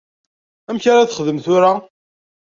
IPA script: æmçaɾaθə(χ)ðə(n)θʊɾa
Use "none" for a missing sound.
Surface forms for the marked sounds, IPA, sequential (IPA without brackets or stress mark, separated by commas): χ, m